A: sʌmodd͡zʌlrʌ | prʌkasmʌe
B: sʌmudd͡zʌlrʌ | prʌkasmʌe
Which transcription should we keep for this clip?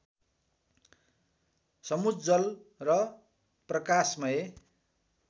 B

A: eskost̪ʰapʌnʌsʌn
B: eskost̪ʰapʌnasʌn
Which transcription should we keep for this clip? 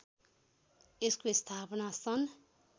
B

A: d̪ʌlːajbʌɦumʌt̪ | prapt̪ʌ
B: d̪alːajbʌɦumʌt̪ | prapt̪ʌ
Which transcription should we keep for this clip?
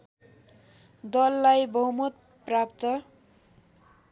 A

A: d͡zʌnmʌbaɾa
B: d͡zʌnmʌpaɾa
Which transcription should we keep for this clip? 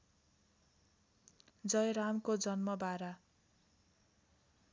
A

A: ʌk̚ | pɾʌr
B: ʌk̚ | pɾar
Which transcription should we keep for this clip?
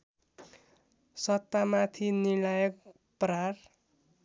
B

